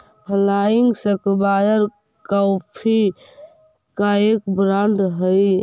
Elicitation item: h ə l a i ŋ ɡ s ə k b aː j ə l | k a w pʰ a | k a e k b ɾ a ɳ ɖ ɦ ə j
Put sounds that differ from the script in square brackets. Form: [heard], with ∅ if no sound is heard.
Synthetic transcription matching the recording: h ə l a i ŋ ɡ s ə k b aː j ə [ɾ] | k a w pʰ [i] | k a e k b ɾ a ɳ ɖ ɦ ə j